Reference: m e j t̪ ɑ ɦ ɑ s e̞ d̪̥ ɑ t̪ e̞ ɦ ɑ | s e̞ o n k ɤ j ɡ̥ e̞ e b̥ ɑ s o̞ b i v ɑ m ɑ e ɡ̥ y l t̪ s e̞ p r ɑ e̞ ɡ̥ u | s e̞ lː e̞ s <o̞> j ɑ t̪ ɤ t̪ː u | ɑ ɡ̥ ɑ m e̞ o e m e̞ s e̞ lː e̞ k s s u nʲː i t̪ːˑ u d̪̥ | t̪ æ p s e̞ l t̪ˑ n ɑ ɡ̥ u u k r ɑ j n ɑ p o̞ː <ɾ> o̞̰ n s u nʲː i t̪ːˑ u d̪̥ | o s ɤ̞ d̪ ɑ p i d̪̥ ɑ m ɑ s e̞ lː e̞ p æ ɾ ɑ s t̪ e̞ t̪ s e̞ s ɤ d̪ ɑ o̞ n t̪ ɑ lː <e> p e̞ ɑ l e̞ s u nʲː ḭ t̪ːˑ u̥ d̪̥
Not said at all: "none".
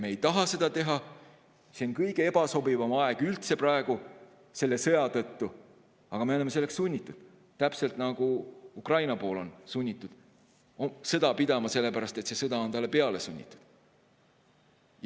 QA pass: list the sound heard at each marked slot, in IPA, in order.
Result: ɤ̞, l, e

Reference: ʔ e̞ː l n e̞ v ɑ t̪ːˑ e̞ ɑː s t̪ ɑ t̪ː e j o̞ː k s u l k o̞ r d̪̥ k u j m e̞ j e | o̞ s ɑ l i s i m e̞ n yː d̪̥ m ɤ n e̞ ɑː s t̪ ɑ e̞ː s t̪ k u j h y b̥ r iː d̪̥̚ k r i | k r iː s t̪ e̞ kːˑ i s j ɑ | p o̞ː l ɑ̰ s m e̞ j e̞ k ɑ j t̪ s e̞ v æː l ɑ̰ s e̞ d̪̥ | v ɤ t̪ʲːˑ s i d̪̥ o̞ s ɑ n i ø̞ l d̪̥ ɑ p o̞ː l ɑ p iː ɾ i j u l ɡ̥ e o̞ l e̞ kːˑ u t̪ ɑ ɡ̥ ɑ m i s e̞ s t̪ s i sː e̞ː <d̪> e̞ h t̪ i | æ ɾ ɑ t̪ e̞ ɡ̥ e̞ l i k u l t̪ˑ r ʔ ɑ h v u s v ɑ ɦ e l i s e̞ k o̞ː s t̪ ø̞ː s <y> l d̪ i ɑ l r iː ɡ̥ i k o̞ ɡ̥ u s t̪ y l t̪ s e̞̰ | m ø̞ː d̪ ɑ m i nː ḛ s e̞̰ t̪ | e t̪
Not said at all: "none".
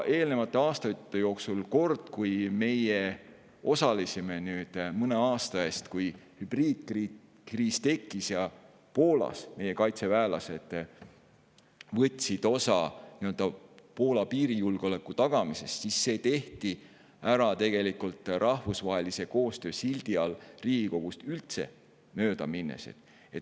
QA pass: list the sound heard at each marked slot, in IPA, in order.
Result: t̪, i

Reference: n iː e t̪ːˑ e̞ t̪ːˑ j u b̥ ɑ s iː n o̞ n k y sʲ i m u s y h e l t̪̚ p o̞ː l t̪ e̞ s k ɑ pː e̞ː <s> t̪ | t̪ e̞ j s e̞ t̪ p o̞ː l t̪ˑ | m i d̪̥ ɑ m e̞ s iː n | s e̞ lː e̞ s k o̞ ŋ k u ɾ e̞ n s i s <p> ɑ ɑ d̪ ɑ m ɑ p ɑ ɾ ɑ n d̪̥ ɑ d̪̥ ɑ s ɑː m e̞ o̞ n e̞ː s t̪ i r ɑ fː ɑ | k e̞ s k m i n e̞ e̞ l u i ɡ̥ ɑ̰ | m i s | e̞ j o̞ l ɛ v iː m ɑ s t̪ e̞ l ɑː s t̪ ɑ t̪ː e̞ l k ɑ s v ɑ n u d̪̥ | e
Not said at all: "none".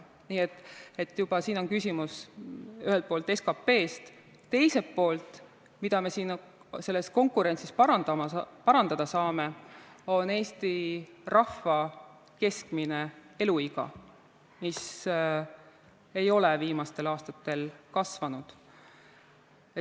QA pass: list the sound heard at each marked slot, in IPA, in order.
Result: s, p

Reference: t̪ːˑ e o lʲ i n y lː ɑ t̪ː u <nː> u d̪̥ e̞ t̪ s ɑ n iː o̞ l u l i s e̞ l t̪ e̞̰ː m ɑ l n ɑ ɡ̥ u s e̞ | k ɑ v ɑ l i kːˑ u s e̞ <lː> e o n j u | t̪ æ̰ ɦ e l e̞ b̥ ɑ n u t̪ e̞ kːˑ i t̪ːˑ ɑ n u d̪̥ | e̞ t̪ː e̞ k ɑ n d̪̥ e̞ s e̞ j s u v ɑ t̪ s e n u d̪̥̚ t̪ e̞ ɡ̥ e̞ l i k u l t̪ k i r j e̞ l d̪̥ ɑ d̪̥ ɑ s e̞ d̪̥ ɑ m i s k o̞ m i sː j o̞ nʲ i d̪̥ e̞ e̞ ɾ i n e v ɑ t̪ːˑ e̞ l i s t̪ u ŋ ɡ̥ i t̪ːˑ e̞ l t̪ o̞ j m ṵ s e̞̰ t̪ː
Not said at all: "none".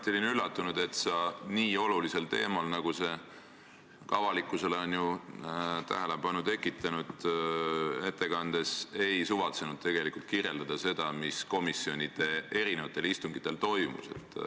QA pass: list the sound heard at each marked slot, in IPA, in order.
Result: n, l

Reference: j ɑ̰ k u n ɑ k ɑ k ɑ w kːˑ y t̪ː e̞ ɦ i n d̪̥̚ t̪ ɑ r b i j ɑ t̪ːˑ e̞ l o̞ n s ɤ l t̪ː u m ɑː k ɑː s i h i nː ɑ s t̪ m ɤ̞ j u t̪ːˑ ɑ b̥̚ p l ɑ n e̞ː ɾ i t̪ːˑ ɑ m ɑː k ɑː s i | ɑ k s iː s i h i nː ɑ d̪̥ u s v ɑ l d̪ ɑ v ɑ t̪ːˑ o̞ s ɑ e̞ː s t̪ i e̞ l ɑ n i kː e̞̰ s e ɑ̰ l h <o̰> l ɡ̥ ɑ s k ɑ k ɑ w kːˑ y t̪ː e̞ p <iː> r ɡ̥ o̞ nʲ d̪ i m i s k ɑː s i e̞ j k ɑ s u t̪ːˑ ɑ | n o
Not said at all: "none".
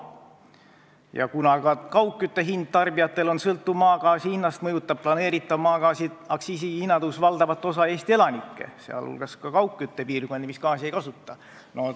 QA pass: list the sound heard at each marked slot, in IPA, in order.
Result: ṵ, iː

